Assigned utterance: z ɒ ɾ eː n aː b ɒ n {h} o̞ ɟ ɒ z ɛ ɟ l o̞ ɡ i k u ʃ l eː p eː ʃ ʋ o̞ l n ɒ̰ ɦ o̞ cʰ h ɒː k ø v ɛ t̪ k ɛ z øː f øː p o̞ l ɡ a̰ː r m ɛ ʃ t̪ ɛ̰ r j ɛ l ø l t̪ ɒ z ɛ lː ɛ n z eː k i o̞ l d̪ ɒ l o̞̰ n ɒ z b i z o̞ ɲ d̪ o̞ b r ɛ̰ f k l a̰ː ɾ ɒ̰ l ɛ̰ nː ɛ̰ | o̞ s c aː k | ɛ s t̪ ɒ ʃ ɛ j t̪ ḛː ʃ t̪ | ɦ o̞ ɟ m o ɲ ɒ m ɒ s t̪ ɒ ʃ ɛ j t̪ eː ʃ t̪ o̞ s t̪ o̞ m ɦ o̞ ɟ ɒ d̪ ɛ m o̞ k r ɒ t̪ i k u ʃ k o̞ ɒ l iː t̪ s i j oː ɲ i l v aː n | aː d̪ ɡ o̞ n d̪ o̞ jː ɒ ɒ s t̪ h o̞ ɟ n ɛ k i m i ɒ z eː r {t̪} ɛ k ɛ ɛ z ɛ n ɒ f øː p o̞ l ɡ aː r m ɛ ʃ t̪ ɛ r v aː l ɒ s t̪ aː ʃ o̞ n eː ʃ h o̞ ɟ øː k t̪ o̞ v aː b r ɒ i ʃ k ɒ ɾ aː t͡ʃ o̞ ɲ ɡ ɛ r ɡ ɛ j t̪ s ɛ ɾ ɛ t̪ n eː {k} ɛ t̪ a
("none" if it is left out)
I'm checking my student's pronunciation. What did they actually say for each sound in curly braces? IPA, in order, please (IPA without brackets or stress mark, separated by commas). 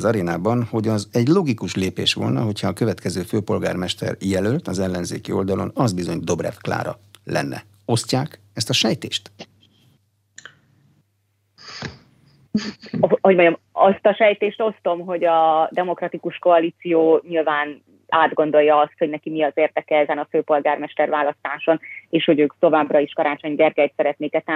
h, d̪, k